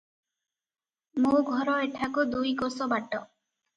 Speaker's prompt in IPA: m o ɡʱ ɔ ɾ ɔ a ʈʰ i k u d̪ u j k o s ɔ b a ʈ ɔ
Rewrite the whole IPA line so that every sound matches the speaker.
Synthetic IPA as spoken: m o ɡʱ ɔ ɾ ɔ e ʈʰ a k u d̪ u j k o s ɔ b a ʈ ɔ